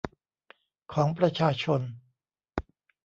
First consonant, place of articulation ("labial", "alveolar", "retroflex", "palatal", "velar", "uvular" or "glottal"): velar